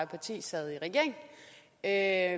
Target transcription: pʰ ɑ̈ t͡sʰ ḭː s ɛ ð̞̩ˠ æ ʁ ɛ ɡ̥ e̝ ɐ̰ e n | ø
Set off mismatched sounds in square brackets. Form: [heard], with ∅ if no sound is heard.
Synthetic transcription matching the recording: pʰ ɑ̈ t͡sʰ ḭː s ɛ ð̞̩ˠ [i] ʁ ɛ ɡ̥ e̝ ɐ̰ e [ŋ] | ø